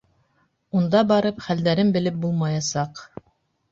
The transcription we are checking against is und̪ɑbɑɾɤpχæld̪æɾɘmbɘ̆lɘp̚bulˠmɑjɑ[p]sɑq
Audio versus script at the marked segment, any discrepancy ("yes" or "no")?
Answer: yes